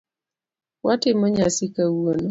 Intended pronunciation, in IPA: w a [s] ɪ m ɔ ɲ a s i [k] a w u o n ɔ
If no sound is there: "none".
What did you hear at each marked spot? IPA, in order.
t, k

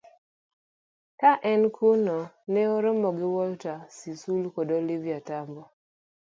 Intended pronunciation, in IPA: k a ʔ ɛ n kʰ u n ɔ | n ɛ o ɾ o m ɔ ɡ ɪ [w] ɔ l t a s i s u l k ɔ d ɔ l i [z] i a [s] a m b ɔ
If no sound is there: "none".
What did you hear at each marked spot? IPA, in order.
w, v, t

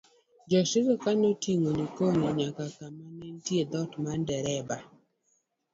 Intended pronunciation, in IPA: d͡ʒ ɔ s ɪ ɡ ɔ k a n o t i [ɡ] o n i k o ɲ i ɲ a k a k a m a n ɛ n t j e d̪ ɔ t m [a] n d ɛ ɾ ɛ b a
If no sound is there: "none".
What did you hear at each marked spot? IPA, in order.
ŋ, a

